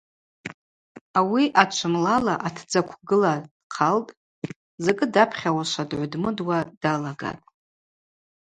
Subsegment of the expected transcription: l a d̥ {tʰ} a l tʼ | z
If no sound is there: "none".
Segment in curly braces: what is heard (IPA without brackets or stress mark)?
qʰ